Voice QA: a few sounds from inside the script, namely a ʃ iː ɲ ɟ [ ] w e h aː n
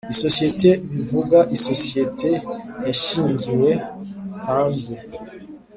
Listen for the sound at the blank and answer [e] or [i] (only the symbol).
i